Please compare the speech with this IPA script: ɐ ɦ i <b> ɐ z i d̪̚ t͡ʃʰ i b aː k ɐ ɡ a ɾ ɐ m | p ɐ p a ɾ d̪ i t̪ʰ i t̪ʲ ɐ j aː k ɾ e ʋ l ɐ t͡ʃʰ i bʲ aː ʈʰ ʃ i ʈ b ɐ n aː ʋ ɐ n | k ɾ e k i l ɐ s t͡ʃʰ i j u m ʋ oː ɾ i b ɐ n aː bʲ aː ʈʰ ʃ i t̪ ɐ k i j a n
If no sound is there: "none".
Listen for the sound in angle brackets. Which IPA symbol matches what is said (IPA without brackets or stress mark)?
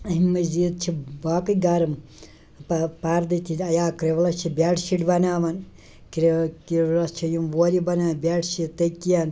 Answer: m